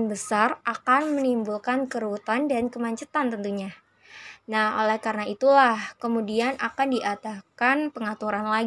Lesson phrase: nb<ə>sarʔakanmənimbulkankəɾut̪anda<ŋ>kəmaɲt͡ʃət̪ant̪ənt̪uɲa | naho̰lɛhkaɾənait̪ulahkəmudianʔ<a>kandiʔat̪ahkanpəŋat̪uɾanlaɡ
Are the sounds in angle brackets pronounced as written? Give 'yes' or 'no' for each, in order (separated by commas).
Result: yes, no, yes